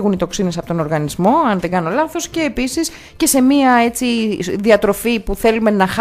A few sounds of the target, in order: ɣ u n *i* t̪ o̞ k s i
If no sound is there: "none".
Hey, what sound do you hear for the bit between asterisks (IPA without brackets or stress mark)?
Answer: i